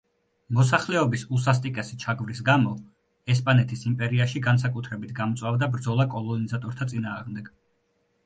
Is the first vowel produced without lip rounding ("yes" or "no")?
no